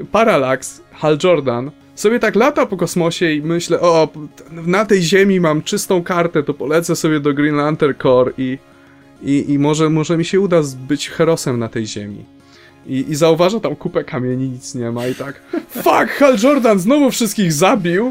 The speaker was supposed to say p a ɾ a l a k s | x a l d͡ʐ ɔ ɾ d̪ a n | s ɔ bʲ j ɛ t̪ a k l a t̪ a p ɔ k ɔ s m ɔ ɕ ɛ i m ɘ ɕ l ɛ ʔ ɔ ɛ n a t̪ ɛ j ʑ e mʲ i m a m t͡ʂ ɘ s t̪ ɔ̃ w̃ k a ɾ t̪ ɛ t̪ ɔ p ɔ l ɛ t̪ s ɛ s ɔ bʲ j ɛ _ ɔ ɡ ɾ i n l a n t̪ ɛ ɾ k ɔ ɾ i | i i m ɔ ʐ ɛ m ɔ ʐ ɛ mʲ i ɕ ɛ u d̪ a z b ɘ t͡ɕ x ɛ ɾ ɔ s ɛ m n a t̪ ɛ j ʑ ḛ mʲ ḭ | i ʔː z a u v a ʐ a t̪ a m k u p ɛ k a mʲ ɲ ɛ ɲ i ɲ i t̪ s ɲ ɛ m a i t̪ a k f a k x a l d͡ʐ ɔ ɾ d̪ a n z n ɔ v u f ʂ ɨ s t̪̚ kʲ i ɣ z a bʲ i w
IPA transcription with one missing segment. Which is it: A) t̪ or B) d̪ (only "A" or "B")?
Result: B